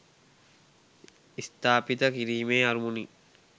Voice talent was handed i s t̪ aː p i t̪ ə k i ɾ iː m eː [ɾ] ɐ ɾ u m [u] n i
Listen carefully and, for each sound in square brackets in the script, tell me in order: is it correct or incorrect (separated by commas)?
incorrect, correct